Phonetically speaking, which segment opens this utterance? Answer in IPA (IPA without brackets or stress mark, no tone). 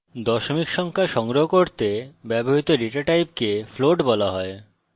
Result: d̪